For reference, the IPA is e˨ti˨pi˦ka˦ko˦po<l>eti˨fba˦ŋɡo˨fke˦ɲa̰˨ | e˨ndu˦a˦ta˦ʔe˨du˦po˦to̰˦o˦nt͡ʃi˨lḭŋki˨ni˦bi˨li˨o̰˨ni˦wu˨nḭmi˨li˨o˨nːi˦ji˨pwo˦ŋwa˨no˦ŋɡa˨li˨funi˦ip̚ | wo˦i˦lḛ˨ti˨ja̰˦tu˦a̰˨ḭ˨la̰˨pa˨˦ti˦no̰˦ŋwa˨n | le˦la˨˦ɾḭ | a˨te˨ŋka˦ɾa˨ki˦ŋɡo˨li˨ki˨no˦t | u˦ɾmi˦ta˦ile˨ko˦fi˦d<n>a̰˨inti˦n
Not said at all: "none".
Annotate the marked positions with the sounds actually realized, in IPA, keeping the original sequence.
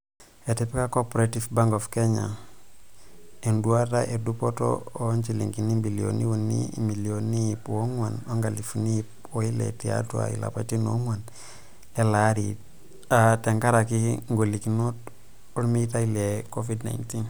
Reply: ɾ, n

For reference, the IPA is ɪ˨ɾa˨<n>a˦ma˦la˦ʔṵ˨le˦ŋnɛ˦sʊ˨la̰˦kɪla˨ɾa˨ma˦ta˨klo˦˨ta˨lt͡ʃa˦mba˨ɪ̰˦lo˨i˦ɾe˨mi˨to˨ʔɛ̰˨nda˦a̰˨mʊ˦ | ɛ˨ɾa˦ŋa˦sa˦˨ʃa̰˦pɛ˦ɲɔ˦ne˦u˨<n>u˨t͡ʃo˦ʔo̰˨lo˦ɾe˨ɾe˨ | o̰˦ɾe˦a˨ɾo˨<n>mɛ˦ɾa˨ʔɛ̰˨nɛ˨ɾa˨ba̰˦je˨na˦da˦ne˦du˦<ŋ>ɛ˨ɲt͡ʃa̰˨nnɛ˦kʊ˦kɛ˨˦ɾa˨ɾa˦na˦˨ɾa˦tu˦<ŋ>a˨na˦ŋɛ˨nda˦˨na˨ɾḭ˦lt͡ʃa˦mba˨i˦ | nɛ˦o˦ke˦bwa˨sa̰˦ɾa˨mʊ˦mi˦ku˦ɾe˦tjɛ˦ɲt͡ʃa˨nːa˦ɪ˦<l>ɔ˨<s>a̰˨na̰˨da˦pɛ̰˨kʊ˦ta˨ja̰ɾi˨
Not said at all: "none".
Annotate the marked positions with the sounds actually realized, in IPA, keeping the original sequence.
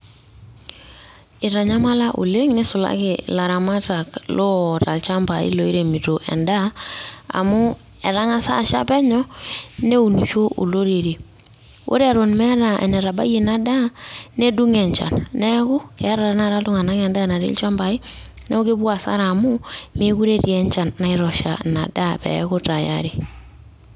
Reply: ɲ, n, n, ŋ, ŋ, ɾ, ʃ

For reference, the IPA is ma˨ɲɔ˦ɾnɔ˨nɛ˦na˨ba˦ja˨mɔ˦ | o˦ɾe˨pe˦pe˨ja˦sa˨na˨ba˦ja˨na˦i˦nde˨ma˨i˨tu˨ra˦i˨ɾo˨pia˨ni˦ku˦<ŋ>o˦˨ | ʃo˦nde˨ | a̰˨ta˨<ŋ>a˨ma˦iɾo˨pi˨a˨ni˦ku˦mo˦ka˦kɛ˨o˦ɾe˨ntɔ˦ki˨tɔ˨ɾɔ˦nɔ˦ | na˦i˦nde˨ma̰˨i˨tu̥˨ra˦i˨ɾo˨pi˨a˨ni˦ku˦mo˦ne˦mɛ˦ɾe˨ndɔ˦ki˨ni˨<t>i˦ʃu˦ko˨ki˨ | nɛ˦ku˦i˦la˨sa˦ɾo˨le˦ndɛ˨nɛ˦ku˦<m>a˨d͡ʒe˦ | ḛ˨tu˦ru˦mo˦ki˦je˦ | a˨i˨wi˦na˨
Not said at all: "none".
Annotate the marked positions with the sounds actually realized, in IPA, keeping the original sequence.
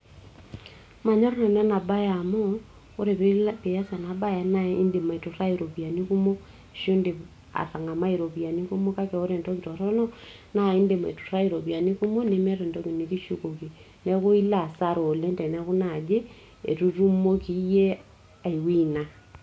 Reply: m, ŋ, k, n

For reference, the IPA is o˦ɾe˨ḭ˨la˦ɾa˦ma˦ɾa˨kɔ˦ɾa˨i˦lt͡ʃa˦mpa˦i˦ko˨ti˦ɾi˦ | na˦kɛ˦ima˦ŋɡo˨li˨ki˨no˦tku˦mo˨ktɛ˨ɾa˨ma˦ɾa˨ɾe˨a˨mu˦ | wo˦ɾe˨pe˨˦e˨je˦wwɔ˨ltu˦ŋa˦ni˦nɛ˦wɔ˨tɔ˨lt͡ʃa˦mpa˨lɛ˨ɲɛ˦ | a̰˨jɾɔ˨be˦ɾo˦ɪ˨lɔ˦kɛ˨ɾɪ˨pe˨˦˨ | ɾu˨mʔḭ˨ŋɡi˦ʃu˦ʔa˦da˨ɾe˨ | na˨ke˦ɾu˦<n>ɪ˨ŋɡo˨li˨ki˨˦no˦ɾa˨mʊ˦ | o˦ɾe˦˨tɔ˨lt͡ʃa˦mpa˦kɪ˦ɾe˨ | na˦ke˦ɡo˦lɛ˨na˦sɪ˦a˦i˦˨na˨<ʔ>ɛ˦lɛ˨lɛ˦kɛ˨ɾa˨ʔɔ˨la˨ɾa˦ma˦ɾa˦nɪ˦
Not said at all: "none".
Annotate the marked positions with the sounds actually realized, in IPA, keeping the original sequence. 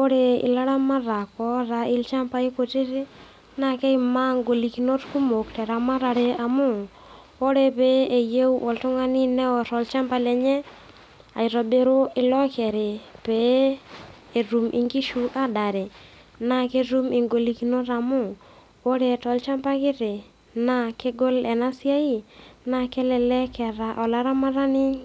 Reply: m, k

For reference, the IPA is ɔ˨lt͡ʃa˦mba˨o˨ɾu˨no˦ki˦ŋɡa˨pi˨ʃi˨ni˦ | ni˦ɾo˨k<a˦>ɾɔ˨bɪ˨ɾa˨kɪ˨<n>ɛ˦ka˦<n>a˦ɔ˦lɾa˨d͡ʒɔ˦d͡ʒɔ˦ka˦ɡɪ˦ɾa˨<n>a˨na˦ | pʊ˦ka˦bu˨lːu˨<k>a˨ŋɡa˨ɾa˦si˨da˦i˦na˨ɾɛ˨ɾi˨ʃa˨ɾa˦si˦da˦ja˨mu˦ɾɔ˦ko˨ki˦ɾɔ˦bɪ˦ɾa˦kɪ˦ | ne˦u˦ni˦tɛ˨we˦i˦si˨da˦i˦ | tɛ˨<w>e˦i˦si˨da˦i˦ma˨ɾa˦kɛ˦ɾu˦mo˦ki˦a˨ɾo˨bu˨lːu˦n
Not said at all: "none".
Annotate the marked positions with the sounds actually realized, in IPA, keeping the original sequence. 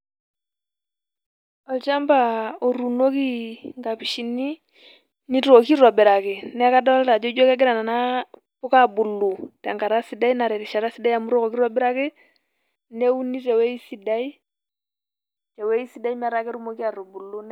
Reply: i˦, n, d, n, t, w

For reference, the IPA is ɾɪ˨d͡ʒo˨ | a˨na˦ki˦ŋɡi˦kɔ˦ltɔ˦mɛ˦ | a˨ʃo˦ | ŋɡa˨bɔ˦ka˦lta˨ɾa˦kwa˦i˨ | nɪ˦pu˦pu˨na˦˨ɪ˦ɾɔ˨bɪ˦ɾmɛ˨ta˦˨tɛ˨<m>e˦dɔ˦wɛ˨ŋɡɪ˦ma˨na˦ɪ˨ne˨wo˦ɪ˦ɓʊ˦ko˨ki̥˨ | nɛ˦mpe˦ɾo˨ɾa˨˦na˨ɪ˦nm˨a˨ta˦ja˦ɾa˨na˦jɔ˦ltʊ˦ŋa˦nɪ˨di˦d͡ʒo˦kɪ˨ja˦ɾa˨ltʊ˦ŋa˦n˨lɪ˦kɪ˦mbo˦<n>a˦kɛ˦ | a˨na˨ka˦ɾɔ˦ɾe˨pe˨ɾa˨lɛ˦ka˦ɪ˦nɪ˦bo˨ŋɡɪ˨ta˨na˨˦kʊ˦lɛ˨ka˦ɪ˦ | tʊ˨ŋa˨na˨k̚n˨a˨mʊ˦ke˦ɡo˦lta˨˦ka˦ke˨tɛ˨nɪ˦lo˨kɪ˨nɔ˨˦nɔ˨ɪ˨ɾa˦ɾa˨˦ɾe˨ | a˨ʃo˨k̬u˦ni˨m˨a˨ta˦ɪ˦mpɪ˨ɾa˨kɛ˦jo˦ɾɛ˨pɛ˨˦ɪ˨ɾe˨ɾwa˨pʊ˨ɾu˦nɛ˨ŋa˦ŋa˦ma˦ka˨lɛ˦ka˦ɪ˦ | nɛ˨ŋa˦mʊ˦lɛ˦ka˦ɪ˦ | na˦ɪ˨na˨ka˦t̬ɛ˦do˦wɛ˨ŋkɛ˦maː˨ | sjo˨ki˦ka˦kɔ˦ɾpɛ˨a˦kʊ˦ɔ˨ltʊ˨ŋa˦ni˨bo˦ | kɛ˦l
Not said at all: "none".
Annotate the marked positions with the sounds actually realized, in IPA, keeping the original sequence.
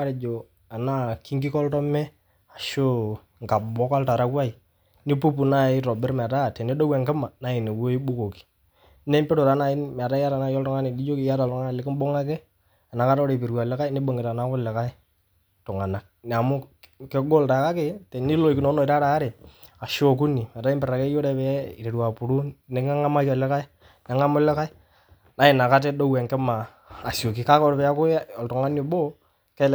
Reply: n, ŋ

